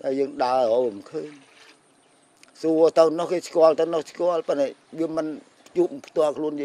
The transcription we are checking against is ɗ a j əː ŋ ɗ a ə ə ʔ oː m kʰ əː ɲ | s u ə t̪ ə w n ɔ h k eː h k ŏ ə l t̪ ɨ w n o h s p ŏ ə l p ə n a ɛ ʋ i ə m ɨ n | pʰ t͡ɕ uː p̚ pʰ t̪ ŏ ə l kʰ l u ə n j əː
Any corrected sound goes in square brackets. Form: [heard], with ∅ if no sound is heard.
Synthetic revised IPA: ɗ a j əː ŋ ɗ a ə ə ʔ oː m kʰ əː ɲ | s u ə t̪ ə w n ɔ h k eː [s] k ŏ ə l t̪ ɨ w n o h s [k] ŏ ə l p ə n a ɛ ʋ i ə m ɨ n | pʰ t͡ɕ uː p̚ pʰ t̪ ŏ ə l kʰ l u ə n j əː